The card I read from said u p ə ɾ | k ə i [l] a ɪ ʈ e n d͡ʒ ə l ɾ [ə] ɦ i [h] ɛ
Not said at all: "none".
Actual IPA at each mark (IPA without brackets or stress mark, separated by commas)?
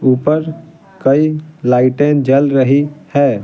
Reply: l, ə, h